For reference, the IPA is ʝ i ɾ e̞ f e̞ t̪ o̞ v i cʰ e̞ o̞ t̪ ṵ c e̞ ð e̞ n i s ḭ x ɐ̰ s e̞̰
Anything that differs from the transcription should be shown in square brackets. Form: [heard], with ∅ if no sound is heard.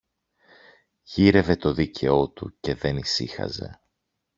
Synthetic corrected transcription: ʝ i ɾ e̞ [v] e̞ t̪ o̞ [ð] i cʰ e̞ o̞ t̪ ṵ c e̞ ð e̞ n i s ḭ x ɐ̰ [z] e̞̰